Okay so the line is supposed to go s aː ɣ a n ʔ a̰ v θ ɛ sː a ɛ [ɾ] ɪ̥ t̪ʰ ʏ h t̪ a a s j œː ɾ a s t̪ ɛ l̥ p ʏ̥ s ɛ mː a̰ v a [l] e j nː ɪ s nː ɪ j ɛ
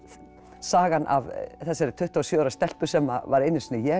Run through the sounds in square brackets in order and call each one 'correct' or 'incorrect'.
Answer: correct, incorrect: ɾ

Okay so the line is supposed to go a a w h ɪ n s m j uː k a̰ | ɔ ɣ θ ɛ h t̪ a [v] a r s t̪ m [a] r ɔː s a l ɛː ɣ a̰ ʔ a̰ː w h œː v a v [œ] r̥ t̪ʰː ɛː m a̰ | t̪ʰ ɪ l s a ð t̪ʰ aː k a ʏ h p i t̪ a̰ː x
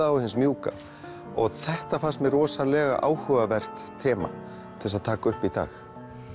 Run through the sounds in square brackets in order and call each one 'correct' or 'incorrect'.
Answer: incorrect: f, incorrect: ɛ, incorrect: ɛ

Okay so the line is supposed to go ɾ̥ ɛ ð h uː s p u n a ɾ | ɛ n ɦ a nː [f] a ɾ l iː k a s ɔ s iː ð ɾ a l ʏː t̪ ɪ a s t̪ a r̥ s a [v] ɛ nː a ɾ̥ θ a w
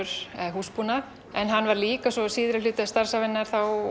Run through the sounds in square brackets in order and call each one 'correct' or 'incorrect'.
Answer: incorrect: v, correct

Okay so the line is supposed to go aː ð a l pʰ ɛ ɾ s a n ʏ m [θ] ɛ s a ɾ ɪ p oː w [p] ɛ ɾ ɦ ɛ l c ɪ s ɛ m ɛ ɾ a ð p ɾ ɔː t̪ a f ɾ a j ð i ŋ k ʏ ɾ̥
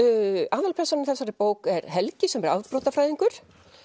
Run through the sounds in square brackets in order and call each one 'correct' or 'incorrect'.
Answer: correct, incorrect: k

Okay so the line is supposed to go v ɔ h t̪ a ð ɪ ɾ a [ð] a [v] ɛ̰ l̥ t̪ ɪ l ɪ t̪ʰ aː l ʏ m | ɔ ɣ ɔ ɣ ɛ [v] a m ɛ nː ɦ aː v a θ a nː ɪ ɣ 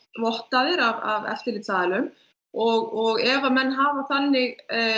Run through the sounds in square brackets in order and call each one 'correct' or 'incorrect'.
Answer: incorrect: v, correct, correct

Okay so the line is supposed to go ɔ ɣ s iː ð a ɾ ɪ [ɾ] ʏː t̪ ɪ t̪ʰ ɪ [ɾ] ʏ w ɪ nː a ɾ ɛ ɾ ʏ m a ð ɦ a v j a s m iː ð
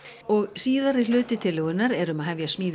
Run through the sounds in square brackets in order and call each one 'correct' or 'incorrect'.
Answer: incorrect: l, incorrect: l

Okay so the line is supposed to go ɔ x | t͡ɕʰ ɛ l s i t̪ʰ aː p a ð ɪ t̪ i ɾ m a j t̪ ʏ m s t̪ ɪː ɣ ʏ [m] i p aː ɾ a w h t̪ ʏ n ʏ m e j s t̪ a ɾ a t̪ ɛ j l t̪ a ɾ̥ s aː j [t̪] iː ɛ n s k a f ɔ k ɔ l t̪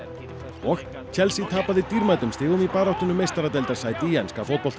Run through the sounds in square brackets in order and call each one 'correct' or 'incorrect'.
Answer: correct, correct

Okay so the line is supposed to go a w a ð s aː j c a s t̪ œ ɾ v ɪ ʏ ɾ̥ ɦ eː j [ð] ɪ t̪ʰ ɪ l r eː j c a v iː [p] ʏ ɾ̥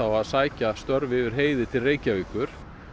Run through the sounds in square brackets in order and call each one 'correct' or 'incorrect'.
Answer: correct, incorrect: k

